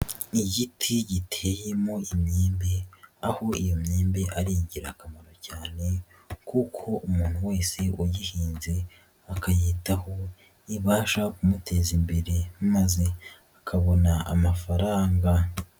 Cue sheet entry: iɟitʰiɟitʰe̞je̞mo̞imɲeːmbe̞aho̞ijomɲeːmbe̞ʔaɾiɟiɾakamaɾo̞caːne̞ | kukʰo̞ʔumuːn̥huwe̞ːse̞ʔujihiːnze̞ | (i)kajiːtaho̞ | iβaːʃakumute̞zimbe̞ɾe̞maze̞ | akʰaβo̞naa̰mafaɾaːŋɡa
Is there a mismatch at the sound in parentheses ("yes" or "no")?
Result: yes